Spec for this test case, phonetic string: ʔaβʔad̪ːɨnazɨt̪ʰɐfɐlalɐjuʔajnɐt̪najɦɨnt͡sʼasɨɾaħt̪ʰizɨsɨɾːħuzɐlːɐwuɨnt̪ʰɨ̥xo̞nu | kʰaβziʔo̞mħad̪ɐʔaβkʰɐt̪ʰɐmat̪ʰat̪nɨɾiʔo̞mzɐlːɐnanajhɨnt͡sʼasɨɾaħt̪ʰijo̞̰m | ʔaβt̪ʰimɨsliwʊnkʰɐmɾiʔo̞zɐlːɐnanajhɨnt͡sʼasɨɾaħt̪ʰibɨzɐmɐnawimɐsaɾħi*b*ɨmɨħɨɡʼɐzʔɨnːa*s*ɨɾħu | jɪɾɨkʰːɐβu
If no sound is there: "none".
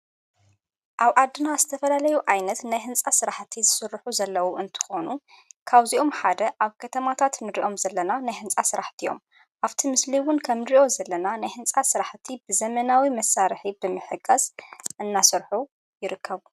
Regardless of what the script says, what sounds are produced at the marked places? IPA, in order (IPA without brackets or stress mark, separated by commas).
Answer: b, s